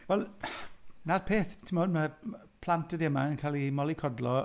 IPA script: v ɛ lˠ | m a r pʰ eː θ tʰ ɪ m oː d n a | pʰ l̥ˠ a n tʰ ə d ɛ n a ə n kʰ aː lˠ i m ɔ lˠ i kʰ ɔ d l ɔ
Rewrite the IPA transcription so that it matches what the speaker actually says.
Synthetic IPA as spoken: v ɛ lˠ | n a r pʰ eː θ tʰ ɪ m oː d m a | pʰ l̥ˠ a n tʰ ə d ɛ m a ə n kʰ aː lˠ i m ɔ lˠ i kʰ ɔ d l ɔ